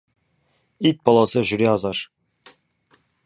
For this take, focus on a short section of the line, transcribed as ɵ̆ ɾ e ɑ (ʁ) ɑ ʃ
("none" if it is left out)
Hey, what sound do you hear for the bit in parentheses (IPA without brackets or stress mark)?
z